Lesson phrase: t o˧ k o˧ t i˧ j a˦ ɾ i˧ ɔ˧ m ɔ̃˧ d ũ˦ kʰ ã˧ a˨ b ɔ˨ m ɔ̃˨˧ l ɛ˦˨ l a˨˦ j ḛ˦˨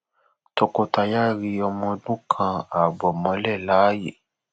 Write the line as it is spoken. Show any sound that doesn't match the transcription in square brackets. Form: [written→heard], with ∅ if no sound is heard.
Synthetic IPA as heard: t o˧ k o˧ t [i˧→a˧] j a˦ ɾ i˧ ɔ˧ m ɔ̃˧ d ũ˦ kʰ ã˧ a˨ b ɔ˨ m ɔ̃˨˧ l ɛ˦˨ l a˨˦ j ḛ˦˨